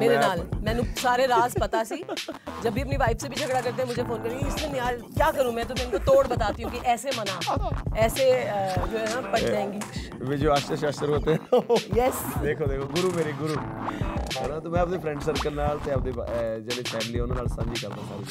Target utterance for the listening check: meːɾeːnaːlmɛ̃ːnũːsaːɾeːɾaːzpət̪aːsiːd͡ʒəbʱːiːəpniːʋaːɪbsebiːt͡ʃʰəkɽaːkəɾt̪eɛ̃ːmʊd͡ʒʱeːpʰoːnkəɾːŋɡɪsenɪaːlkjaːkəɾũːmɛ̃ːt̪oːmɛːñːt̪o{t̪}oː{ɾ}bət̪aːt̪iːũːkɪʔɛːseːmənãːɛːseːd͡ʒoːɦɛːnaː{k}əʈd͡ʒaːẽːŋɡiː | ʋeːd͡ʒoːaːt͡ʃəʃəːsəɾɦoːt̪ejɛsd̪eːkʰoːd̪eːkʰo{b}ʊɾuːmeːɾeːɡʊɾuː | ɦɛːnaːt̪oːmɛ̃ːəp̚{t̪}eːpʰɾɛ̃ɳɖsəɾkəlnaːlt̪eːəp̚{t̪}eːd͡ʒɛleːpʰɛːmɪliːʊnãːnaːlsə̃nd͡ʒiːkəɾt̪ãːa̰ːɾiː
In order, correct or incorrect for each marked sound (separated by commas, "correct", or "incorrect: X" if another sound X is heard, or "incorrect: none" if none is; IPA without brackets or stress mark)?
correct, incorrect: ɽ, incorrect: p, incorrect: ɡ, incorrect: d̪, incorrect: d̪